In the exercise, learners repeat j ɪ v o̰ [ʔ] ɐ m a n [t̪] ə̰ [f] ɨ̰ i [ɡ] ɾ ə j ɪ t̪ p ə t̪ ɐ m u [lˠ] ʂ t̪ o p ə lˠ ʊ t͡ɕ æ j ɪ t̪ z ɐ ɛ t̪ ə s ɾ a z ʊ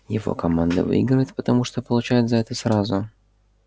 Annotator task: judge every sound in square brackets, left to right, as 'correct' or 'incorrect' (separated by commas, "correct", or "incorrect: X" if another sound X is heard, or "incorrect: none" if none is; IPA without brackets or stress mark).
incorrect: k, incorrect: d̪, incorrect: v, correct, incorrect: none